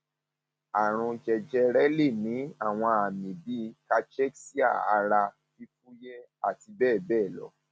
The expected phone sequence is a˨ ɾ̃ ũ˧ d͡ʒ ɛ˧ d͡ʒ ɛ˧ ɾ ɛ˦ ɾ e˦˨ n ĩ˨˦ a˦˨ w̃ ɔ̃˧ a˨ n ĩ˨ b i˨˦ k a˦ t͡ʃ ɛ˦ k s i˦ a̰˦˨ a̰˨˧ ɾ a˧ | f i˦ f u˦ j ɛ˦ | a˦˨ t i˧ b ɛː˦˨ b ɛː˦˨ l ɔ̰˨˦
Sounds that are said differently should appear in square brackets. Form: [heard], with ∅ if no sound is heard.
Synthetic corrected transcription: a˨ ɾ̃ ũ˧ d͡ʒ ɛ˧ d͡ʒ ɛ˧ ɾ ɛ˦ [l] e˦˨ n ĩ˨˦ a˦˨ w̃ ɔ̃˧ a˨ [m] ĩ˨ b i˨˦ k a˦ t͡ʃ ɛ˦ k s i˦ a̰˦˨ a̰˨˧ ɾ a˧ | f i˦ f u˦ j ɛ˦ | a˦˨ t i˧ b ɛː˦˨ b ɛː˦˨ l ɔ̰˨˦